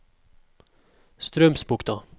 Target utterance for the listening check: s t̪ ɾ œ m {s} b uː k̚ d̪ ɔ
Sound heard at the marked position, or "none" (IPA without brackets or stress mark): s